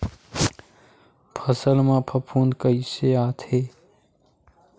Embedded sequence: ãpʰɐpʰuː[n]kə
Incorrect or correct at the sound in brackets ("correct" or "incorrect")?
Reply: correct